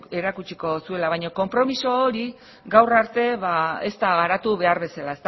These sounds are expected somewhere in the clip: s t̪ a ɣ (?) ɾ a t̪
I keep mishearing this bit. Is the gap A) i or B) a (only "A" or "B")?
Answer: B